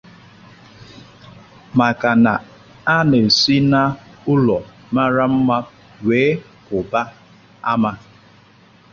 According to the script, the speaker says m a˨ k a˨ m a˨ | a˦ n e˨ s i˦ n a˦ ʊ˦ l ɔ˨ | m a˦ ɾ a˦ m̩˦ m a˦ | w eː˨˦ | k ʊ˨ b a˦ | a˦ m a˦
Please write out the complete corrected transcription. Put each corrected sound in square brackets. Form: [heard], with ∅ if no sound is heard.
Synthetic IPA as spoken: m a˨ k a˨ [n] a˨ | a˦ n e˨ s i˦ n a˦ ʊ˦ l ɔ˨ | m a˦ ɾ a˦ m̩˦ m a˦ | w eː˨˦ | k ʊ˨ b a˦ | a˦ m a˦